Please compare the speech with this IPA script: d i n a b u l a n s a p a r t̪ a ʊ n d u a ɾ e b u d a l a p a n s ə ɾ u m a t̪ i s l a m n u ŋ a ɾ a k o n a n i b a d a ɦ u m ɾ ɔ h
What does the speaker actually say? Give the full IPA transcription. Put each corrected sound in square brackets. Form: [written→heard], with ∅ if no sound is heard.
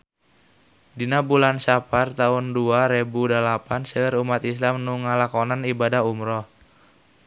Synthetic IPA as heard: d i n a b u l a n s a p a r t̪ a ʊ n d u a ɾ e b u d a l a p a n s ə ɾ u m a t̪ i s l a m n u ŋ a [ɾ→l] a k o n a n i b a d a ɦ u m ɾ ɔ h